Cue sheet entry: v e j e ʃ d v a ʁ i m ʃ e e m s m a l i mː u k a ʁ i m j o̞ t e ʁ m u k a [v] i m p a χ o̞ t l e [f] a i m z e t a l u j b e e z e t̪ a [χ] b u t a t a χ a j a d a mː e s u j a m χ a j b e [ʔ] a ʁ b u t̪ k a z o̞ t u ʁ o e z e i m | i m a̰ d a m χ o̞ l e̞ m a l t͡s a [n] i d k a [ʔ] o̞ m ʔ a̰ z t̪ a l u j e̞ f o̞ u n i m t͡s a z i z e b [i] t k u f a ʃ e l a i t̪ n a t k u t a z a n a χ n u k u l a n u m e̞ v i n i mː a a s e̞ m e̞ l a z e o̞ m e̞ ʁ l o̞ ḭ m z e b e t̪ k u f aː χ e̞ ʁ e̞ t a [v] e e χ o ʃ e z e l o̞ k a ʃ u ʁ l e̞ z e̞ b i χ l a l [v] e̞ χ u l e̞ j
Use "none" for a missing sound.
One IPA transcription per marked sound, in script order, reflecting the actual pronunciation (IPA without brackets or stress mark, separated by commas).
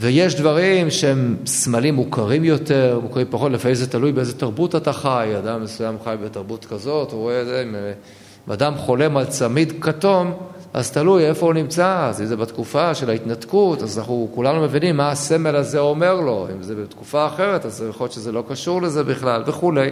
ʁ, f, ʁ, t, m, t, a, z, v